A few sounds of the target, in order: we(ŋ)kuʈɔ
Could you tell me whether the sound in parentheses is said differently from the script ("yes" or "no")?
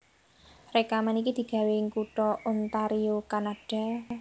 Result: no